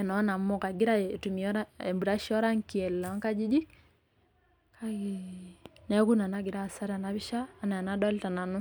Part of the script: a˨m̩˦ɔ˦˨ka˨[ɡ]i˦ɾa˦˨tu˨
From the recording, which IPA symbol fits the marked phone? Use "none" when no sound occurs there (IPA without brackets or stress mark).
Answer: ɡ